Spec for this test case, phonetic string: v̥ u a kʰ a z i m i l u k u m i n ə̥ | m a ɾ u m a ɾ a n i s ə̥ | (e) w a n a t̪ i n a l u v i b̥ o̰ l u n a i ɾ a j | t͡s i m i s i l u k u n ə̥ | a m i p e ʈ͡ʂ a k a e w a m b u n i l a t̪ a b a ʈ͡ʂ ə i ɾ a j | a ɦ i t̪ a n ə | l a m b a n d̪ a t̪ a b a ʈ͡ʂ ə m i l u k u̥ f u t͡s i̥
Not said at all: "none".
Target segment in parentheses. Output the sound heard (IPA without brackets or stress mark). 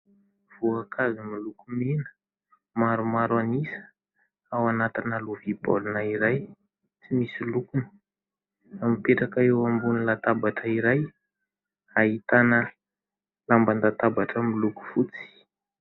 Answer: a